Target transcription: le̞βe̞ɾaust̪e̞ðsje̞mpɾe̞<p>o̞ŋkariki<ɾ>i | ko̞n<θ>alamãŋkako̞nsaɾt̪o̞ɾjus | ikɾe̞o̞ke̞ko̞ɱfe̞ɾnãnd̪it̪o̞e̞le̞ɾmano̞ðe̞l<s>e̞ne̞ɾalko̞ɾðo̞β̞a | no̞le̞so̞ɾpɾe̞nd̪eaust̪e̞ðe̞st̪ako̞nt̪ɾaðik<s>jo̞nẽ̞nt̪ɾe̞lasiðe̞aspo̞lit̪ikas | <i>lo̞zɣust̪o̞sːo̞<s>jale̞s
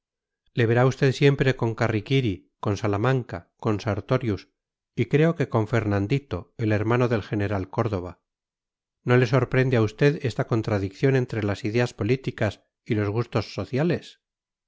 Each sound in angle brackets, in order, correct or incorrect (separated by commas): incorrect, correct, incorrect, incorrect, incorrect, correct, incorrect